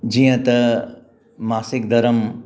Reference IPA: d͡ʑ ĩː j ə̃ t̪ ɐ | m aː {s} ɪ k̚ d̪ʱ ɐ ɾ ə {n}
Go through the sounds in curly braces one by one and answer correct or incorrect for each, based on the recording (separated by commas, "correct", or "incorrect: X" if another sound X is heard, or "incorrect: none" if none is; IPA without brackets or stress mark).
correct, incorrect: m